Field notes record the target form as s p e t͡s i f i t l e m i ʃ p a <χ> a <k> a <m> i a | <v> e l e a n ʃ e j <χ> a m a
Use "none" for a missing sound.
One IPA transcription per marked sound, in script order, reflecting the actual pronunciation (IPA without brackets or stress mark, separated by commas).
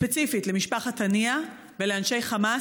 χ, t, n, v, χ